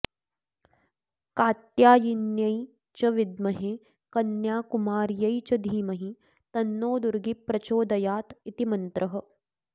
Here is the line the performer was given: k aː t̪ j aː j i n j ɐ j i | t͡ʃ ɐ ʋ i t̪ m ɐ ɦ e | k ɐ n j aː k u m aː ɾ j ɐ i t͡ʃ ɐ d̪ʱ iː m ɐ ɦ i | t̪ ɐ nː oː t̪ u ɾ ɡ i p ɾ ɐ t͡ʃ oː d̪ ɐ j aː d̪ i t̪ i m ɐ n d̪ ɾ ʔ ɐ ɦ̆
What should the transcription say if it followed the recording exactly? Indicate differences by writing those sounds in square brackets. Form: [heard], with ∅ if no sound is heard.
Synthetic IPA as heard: k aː t̪ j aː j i n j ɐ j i | t͡ʃ ɐ ʋ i [d̪] m ɐ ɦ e | k ɐ n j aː k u m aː ɾ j ɐ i t͡ʃ ɐ d̪ʱ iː m ɐ ɦ i | t̪ ɐ nː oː [d̪] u ɾ ɡ i p ɾ ɐ t͡ʃ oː d̪ ɐ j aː [t̪] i t̪ i m ɐ n [t̪] ɾ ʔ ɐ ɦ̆